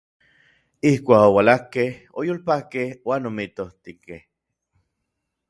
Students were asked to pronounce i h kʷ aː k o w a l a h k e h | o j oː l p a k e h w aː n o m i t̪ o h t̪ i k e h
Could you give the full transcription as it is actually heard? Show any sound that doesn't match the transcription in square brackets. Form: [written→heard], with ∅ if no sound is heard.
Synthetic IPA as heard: i h kʷ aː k o w a l a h k e h | o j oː l p a k e h w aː n o m i t̪ o h t̪ i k e h